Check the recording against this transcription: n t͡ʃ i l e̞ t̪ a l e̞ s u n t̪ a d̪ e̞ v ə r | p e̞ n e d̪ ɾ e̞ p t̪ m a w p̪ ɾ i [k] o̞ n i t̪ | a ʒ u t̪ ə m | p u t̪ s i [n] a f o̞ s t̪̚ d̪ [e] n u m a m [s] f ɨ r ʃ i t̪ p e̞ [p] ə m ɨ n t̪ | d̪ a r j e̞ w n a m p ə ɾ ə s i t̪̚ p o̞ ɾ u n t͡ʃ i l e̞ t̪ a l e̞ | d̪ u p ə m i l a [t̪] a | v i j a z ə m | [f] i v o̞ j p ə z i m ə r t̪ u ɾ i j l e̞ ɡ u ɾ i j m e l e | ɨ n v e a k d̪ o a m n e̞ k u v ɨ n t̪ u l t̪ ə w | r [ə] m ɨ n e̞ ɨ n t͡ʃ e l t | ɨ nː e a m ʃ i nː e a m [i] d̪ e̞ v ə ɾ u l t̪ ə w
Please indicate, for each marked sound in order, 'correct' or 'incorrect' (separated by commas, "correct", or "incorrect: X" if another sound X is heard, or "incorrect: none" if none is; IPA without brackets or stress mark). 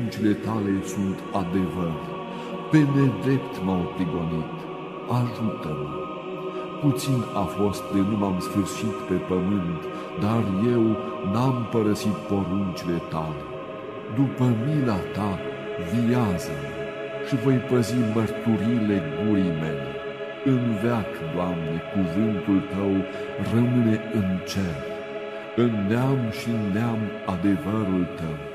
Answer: incorrect: ɡ, correct, correct, correct, correct, correct, incorrect: ʃ, correct, incorrect: a